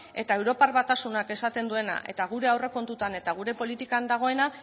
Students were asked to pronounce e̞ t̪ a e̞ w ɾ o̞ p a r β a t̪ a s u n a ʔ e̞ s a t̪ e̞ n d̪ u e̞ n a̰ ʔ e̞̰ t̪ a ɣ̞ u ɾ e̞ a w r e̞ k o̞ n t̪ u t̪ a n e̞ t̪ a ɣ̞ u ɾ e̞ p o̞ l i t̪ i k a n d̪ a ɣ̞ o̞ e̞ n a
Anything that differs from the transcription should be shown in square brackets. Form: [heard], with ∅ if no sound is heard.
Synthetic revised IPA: e̞ t̪ a e̞ w ɾ o̞ p a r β a t̪ a s u n a [k] e̞ s a t̪ e̞ n d̪ u e̞ n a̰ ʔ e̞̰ t̪ a ɣ̞ u ɾ e̞ a w r e̞ k o̞ n t̪ u t̪ a n e̞ t̪ a ɣ̞ u ɾ e̞ p o̞ l i t̪ i k a n d̪ a ɣ̞ o̞ e̞ n a